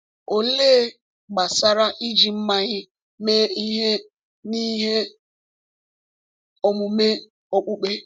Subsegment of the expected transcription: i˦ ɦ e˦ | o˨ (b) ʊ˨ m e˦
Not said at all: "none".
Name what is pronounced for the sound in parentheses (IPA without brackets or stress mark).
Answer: m